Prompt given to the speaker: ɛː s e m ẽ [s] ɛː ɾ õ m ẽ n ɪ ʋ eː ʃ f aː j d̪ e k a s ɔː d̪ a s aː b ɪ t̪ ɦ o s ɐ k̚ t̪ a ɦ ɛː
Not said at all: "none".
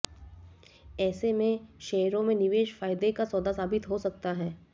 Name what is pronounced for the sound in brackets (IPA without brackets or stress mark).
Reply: ʃ